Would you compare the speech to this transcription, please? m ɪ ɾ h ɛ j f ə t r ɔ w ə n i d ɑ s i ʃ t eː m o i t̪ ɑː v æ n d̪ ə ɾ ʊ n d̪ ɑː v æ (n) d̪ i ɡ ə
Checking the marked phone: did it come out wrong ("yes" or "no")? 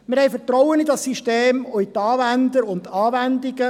no